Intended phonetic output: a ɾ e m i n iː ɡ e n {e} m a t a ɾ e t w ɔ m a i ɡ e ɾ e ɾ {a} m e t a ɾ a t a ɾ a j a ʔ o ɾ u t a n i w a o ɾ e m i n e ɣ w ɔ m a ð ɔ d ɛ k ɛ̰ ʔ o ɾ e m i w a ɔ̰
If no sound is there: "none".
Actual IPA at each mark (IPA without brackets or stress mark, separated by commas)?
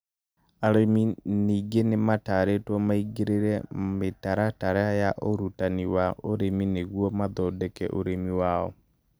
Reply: e, ɛ